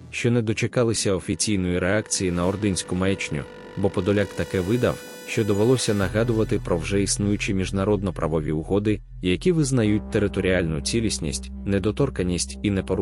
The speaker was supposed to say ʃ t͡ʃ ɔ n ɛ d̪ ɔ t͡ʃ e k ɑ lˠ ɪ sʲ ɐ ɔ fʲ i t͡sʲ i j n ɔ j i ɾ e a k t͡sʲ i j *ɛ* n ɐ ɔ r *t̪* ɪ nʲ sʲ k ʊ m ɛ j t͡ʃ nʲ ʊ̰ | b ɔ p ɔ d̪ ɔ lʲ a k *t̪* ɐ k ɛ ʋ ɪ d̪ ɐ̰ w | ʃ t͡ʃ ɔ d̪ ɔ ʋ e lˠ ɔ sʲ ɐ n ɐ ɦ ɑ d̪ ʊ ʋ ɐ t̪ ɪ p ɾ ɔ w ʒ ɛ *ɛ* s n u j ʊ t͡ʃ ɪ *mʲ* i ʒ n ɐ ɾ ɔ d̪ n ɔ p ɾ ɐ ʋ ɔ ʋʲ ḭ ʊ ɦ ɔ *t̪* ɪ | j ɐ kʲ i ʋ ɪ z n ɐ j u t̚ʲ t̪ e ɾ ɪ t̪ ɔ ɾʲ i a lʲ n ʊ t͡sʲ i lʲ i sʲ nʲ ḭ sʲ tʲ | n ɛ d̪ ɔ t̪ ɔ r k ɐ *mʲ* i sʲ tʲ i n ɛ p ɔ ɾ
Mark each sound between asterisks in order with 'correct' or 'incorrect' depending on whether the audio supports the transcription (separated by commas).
incorrect, incorrect, correct, incorrect, correct, incorrect, incorrect